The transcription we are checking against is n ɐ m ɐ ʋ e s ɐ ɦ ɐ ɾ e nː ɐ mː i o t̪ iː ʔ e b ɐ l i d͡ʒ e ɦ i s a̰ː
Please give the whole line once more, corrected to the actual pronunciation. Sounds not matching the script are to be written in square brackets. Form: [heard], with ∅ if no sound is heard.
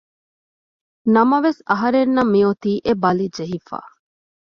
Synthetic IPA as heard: n ɐ m ɐ ʋ e s ɐ ɦ ɐ ɾ e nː ɐ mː i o t̪ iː ʔ e b ɐ l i d͡ʒ e ɦ i [f] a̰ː